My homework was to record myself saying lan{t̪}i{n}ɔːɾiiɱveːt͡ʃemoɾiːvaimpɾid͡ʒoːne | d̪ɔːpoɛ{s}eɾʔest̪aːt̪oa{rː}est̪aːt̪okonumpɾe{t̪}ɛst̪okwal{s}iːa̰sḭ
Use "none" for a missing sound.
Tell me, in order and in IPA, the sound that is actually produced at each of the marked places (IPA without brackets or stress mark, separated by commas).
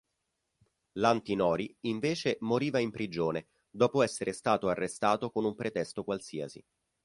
t̪, n, sː, rː, t̪, s